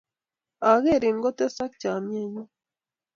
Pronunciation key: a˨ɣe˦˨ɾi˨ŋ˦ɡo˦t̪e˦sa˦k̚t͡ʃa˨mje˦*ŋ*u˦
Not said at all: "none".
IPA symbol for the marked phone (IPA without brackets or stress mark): ɲ